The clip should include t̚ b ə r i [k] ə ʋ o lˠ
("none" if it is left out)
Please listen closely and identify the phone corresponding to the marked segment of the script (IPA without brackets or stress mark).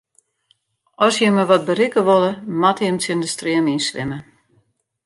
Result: k